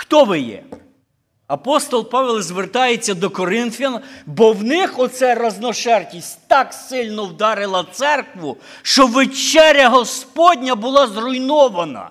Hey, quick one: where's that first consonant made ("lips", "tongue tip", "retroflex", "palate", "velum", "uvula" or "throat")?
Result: velum